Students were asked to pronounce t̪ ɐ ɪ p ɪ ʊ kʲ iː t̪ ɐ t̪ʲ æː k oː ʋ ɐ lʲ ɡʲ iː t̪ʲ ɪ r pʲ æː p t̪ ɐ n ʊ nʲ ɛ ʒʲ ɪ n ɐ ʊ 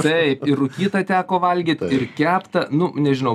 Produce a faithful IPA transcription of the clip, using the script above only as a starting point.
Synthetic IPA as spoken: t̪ ɐ ɪ p ɪ ʊ kʲ iː t̪ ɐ t̪ʲ æː k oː ʋ ɐ lʲ ɡʲ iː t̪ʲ ɪ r kʲ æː p t̪ ɐ n ʊ nʲ ɛ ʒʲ ɪ n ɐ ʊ